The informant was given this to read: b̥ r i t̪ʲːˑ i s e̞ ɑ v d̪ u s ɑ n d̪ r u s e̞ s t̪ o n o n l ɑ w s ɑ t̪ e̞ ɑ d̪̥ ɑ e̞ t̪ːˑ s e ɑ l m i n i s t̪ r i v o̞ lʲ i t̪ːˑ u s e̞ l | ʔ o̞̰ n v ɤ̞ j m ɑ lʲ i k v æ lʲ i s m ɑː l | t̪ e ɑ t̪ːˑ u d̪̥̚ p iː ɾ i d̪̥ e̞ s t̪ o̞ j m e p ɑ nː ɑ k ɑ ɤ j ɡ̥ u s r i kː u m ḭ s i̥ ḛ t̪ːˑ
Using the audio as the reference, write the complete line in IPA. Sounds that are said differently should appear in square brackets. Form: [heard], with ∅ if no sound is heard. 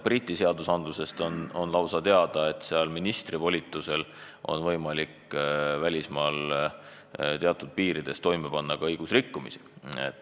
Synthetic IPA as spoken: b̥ r i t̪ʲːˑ i s e̞ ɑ [∅] d̪ u s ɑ n d̪ [l] u s e̞ s t̪ o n o n l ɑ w s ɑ t̪ e̞ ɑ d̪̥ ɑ e̞ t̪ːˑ s e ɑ l m i n i s t̪ r i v o̞ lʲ i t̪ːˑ u s e̞ l | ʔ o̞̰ n v ɤ̞ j m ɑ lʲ i k v æ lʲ i s m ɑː l | t̪ e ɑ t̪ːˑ u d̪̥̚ p iː ɾ i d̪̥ e̞ s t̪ o̞ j m e p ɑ nː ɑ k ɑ ɤ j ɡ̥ u s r i kː u m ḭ s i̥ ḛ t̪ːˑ

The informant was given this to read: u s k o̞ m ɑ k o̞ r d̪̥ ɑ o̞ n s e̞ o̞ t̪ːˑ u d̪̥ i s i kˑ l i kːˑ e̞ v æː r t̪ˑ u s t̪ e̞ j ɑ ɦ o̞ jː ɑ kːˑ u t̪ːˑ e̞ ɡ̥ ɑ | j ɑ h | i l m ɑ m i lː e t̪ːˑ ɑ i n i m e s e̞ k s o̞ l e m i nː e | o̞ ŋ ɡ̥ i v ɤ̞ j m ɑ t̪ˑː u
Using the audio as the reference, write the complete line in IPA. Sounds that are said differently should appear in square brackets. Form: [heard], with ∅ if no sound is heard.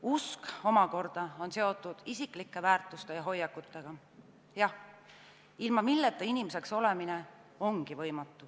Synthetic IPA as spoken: u s k o̞ m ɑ k o̞ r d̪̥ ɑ o̞ n s e̞ o̞ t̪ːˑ u d̪̥ i s i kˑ l i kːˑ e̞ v æː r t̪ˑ u s t̪ e̞ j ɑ ɦ o̞ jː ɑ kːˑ u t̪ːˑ e̞ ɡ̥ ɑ | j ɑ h | i l m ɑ m i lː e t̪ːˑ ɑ i n i m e s e̞ k s o̞ l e m i [n] e | o̞ ŋ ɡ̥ i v ɤ̞ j m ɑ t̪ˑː u

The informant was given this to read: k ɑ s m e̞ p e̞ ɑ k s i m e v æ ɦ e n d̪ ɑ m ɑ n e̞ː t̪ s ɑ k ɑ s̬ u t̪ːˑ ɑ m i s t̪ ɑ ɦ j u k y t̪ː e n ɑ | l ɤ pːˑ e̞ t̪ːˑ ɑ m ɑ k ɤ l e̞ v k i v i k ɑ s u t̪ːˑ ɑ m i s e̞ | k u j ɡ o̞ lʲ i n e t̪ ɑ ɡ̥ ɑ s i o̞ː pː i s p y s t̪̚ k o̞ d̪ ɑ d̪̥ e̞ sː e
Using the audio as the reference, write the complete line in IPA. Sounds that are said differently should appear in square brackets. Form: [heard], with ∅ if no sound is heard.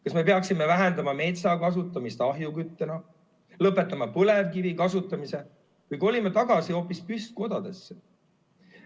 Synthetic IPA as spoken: k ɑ s m e̞ p e̞ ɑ k s i m e v æ ɦ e n d̪ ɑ m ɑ [m] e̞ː t̪ s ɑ k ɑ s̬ u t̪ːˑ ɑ m i s t̪ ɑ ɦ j u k y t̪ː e n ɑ | l ɤ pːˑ e̞ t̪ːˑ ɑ m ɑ [p] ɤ l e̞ v k i v i k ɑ s u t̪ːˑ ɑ m i s e̞ | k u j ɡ o̞ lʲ i [m] e t̪ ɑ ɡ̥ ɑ s i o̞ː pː i s p y s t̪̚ k o̞ d̪ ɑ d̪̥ e̞ sː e

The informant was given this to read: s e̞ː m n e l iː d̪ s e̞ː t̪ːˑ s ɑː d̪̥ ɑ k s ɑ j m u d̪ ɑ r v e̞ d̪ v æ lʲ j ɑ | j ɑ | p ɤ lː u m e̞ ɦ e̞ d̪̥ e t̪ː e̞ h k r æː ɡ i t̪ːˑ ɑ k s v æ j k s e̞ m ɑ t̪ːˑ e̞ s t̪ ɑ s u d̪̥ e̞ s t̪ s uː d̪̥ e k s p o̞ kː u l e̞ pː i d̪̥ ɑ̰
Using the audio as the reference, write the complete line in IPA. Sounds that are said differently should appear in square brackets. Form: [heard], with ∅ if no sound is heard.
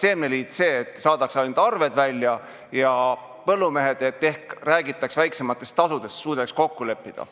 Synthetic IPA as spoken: s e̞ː m n e l iː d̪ s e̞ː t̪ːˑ s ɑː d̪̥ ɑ k s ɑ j [n] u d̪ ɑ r v e̞ d̪ v æ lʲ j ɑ | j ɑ | p ɤ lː u m e̞ ɦ e̞ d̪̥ e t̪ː e̞ h k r æː ɡ i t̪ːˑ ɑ k s v æ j k s e̞ m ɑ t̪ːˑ e̞ s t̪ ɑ s u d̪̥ e̞ s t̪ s uː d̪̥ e k s [k] o̞ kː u l e̞ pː i d̪̥ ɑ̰

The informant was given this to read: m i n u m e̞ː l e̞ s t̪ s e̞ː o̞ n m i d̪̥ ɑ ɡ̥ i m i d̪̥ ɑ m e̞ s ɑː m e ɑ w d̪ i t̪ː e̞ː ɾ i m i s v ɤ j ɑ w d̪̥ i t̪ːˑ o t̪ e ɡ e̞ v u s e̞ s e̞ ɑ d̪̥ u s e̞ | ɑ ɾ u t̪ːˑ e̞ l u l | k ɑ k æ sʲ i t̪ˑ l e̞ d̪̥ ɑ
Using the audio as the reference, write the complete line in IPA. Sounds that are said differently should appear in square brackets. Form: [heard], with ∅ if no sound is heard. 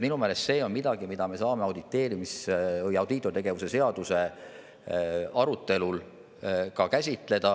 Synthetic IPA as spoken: m i n u m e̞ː l e̞ s t̪ s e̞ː o̞ n m i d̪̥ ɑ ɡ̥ i m i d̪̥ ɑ m e̞ s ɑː m e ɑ w d̪ i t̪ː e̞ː ɾ i m i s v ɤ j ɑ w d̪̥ i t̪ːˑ o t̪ e ɡ e̞ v u s e̞ s e̞ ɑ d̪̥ u s e̞ | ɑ ɾ u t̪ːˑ e̞ l u l | k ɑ k æ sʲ i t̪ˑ l e̞ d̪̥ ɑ

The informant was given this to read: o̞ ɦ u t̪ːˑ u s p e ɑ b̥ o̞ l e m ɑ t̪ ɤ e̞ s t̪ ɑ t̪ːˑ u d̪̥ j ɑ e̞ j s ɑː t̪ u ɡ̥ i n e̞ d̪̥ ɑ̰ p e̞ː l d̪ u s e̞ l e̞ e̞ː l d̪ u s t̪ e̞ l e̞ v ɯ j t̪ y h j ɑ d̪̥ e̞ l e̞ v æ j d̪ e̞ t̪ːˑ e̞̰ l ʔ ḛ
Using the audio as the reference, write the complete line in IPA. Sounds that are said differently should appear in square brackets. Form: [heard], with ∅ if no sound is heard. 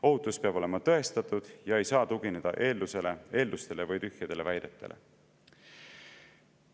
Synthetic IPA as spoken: o̞ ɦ u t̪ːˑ u s p e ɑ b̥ o̞ l e m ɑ t̪ ɤ e̞ s t̪ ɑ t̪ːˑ u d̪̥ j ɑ e̞ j s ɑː t̪ u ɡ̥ i n e̞ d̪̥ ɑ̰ [ʔ] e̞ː l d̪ u s e̞ l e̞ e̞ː l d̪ u s t̪ e̞ l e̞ v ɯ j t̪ y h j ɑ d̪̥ e̞ l e̞ v æ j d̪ e̞ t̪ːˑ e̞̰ l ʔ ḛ

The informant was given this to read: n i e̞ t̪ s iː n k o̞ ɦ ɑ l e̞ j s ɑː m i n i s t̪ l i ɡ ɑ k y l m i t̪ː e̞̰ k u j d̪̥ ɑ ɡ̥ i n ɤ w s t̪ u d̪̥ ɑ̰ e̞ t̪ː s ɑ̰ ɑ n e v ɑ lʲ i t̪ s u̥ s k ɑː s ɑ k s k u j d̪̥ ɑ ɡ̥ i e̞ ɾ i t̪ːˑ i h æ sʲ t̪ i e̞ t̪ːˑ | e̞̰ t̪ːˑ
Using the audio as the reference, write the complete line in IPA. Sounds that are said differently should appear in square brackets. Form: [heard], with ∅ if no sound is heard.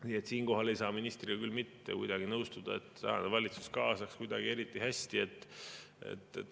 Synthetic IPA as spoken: n i e̞ t̪ s iː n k o̞ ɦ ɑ l e̞ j s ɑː m i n i s t̪ [r] i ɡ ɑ k y l m i t̪ː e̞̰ k u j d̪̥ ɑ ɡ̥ i n ɤ w s t̪ u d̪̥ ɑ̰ e̞ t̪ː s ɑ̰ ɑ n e v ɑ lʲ i t̪ s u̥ s k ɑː s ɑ k s k u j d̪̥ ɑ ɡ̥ i e̞ ɾ i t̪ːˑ i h æ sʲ t̪ i e̞ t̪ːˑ | e̞̰ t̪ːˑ

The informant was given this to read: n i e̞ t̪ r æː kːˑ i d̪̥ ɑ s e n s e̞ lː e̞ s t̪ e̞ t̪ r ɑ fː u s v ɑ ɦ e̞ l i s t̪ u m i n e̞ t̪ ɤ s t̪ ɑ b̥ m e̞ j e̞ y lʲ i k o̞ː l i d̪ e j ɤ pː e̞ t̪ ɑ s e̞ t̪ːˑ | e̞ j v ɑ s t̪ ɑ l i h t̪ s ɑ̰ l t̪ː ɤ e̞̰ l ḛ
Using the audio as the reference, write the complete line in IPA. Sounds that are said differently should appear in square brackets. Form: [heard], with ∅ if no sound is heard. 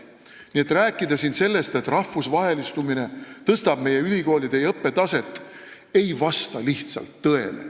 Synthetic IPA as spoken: n i e̞ t̪ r æː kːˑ i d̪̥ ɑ s [i] n s e̞ lː e̞ s t̪ e̞ t̪ r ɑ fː u s v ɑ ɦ e̞ l i s t̪ u m i n e̞ t̪ ɤ s t̪ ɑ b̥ m e̞ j e̞ y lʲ i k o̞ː l i d̪ e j ɤ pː e̞ t̪ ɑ s e̞ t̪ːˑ | e̞ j v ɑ s t̪ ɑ l i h t̪ s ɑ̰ l t̪ː ɤ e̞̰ l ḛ

